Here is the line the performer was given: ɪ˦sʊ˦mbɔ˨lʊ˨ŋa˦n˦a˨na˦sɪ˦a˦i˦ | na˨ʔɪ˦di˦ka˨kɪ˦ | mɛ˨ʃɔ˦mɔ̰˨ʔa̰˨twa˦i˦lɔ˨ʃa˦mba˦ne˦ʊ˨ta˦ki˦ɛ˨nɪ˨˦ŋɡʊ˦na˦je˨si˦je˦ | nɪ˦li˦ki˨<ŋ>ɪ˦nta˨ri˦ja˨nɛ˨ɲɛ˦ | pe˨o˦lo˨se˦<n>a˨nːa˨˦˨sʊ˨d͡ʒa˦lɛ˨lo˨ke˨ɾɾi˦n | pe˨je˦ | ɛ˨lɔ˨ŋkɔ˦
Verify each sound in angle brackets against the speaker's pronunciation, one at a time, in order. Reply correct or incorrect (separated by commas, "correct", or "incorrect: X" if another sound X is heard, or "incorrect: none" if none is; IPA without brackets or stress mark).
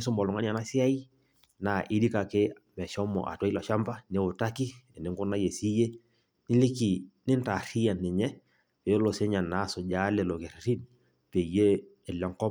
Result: incorrect: n, incorrect: ɲ